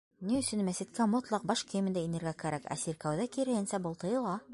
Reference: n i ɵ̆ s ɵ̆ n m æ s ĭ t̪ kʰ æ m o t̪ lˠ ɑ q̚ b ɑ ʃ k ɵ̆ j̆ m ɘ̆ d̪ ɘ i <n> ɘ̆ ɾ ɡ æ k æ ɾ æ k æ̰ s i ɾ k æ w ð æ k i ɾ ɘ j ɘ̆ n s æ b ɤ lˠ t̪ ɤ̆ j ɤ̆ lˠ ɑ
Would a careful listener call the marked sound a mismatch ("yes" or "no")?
no